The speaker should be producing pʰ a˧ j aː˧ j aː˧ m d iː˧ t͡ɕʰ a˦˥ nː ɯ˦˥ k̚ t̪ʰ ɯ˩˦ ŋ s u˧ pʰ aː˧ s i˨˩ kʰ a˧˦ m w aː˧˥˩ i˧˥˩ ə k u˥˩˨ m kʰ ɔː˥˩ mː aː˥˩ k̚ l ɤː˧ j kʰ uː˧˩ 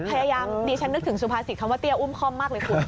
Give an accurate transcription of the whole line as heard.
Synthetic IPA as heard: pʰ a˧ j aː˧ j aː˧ m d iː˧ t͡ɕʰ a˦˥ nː ɯ˦˥ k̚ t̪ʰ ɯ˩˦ ŋ s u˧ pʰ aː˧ s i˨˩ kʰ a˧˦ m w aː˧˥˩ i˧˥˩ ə ʔ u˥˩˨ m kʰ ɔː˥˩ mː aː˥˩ k̚ l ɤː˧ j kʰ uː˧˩